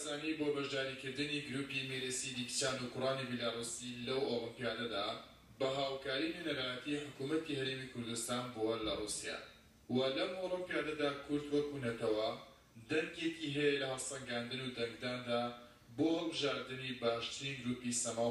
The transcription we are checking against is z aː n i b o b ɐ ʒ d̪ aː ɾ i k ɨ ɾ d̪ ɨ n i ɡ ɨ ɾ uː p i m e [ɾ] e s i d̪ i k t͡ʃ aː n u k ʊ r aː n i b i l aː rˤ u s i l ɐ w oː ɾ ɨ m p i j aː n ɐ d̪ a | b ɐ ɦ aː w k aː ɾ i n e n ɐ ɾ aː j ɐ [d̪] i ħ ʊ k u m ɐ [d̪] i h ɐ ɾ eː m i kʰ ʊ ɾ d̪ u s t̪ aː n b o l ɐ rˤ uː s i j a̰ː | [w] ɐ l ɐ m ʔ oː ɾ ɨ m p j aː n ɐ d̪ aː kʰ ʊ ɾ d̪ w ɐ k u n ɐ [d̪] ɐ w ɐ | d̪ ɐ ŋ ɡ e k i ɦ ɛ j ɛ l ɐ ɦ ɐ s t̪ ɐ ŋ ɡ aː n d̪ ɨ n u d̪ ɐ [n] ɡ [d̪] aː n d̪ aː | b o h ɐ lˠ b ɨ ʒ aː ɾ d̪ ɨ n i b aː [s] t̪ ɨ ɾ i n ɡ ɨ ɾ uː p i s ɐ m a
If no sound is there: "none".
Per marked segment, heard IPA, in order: ɾ, t̪, t̪, w, t̪, ŋ, d̪, ʃ

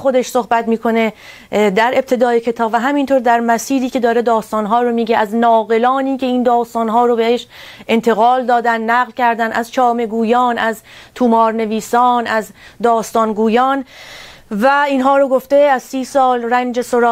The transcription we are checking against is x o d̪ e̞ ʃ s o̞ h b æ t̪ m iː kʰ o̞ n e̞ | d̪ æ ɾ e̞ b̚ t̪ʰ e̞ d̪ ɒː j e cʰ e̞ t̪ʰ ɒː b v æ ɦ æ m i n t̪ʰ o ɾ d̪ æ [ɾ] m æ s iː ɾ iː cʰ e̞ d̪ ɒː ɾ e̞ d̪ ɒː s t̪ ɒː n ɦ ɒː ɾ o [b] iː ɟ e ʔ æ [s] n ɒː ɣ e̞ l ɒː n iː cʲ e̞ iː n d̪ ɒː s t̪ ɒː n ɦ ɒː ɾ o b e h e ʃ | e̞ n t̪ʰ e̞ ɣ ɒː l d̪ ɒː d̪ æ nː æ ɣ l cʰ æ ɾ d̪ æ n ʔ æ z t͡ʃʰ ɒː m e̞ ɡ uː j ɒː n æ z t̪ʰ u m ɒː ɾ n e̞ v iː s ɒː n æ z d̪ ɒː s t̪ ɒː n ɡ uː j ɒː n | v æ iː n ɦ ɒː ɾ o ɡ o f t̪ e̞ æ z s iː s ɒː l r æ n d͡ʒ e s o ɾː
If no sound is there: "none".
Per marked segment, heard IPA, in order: ɾ, m, z

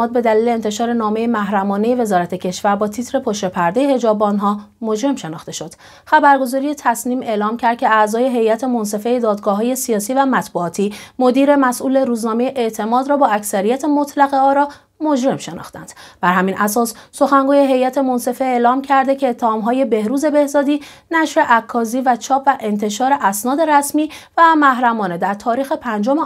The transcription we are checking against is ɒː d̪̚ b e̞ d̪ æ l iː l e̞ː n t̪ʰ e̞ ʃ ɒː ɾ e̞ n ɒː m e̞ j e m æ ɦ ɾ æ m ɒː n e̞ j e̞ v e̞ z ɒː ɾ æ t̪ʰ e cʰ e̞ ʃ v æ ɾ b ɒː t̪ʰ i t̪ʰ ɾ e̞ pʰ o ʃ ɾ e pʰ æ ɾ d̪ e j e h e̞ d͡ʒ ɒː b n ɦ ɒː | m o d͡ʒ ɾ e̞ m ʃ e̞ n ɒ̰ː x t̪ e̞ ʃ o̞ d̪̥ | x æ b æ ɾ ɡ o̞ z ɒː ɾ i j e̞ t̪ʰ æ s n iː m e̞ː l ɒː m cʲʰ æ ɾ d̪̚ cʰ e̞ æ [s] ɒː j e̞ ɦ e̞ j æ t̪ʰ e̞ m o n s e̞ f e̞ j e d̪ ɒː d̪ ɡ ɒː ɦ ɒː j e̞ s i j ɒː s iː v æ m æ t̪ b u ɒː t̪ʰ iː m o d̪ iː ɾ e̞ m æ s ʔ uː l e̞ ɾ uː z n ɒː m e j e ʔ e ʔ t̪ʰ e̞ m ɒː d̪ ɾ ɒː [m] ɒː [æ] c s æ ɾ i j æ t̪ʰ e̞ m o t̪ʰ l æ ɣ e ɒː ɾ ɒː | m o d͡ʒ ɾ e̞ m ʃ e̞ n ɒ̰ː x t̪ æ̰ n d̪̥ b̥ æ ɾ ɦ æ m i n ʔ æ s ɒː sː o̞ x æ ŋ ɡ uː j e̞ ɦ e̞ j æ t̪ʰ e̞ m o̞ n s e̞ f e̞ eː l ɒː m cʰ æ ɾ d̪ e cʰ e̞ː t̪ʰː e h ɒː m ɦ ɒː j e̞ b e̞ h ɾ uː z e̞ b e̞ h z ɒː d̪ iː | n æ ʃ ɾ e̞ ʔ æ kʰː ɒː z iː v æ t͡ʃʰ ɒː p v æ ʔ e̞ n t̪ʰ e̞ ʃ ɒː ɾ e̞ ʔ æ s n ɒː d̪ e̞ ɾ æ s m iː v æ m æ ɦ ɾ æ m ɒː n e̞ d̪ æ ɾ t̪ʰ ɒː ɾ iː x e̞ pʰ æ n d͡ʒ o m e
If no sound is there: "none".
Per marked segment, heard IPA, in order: z, b, æ

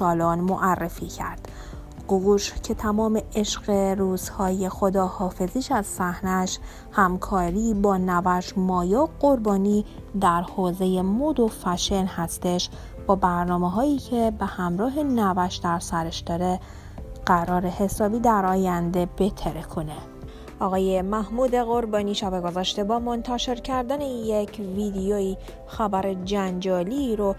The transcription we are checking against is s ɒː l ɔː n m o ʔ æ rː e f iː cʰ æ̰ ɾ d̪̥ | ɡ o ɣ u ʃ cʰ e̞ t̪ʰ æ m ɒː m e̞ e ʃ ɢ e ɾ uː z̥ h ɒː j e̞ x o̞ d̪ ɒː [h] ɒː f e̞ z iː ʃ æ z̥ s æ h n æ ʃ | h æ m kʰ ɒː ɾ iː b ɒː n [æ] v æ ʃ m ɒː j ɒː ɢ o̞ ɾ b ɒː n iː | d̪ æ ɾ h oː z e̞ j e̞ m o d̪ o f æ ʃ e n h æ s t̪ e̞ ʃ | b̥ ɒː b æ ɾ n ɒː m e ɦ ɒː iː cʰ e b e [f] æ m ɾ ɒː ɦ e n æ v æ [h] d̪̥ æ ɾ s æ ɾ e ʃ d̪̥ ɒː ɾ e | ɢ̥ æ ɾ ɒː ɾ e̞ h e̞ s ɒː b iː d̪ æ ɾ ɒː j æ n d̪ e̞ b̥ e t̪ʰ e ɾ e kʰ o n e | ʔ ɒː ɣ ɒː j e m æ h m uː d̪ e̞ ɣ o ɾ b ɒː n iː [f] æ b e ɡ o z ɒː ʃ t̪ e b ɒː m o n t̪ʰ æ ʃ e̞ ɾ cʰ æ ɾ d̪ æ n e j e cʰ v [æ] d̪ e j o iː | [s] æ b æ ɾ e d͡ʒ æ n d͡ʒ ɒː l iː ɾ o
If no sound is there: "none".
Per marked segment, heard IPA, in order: h, æ, h, ʃ, ʃ, i, x

